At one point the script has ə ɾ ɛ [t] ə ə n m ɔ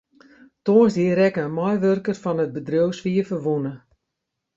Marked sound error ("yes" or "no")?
yes